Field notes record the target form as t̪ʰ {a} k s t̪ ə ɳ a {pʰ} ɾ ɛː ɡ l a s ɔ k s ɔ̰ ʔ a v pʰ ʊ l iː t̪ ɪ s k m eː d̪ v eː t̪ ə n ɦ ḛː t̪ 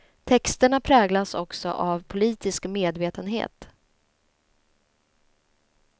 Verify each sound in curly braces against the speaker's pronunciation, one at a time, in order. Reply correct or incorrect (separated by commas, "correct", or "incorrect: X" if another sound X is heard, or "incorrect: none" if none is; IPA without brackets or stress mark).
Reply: incorrect: ɛ, correct